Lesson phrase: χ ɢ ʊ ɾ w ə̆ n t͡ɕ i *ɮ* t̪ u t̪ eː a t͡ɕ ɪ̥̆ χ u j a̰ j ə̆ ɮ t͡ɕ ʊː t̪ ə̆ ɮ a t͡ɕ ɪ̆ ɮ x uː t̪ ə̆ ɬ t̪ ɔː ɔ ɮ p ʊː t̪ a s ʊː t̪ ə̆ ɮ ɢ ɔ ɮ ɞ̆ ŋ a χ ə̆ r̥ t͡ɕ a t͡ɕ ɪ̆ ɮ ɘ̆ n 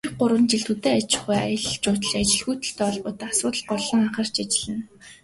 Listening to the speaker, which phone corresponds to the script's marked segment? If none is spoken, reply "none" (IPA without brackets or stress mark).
ɮ